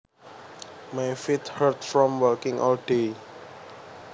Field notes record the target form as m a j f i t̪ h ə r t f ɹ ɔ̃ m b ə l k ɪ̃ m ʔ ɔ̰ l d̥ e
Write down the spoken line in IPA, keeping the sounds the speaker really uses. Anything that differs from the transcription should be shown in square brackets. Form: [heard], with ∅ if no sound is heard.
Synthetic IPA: m a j f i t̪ h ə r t f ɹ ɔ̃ m [w] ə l k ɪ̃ [ŋ] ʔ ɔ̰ l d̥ e